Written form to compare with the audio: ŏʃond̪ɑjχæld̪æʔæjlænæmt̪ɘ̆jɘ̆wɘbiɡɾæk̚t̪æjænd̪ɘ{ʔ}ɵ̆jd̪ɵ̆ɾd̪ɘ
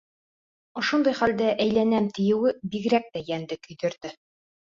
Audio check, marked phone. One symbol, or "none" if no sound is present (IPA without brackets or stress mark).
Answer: k